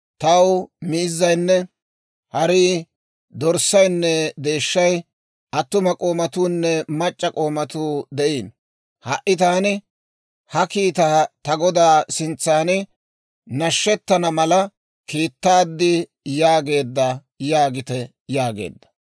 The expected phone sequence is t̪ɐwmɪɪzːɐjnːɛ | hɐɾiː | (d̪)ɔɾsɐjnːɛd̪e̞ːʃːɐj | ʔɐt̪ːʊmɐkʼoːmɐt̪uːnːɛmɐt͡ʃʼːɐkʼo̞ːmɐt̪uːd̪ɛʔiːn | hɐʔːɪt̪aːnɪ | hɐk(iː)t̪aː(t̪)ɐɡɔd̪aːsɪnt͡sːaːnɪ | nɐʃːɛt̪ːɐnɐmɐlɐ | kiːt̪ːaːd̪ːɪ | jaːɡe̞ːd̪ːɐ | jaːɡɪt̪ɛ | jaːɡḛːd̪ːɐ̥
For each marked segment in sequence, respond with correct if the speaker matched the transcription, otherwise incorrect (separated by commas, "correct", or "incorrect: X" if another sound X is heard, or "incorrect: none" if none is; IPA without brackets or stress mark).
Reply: correct, correct, correct